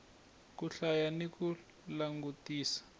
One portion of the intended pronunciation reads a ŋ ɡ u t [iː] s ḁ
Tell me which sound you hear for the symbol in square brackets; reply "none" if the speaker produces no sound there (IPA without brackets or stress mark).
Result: iː